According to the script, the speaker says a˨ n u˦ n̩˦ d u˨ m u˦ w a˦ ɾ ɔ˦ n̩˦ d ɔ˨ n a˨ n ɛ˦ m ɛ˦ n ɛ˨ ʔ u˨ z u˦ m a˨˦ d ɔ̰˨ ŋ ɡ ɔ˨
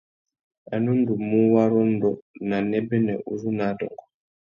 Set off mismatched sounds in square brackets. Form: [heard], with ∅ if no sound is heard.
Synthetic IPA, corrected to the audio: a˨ n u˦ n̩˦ d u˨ m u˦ w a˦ ɾ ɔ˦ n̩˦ d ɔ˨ n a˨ n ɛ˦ [b] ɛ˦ n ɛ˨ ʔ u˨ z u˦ [n] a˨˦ d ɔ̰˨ ŋ ɡ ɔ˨